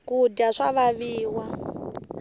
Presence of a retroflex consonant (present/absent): present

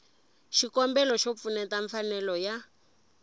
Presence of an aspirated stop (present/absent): absent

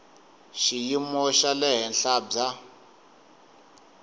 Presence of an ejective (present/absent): absent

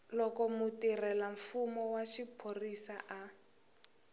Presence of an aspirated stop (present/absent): present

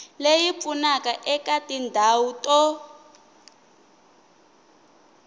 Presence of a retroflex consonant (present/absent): absent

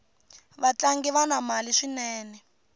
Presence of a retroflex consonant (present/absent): present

